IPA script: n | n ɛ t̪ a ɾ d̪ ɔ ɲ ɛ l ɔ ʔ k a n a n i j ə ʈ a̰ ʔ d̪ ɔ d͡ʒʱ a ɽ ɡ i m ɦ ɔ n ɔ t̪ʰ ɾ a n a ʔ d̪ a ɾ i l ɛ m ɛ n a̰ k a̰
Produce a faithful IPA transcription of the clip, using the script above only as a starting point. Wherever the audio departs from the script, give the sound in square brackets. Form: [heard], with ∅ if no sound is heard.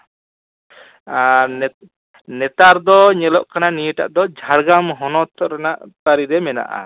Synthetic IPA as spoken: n | n ɛ t̪ a ɾ d̪ ɔ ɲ ɛ l ɔ ʔ k a n a n i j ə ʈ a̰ ʔ d̪ ɔ d͡ʒʱ a ɽ ɡ [a] m ɦ ɔ n ɔ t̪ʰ ɾ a n a ʔ [t̪] a ɾ i [ɾ] ɛ m ɛ n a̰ [ʔ] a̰